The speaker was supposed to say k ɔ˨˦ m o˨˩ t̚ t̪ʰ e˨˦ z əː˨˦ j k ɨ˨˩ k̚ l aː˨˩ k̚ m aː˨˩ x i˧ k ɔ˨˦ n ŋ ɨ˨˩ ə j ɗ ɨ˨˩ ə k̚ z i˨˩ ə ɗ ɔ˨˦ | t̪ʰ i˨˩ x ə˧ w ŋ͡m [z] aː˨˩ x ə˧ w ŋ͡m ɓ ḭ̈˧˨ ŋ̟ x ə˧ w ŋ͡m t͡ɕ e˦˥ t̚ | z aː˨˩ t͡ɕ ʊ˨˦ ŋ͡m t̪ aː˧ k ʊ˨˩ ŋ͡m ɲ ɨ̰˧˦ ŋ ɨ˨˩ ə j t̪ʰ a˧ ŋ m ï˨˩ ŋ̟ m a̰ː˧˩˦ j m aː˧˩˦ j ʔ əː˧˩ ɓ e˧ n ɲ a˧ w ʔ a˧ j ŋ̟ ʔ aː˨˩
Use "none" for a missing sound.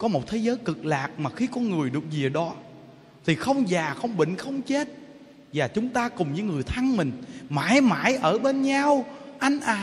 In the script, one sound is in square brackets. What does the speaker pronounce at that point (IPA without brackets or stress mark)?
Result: z